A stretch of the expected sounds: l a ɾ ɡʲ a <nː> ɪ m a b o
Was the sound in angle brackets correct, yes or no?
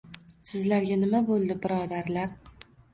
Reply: no